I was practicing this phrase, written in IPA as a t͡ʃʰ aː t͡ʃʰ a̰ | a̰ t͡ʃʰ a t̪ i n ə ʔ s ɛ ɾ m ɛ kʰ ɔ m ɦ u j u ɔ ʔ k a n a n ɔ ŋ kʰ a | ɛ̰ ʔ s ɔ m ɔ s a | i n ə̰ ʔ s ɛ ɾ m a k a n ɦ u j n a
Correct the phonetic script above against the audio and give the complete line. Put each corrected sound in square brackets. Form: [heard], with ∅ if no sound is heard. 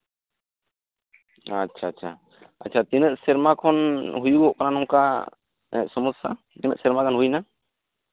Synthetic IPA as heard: a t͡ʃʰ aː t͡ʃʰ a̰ | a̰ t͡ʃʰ a t̪ i n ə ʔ s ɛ ɾ m [a] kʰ ɔ [n] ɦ u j u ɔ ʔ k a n a n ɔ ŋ [k] a | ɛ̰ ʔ s ɔ m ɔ s a | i n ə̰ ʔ s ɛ ɾ m a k a n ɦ u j n a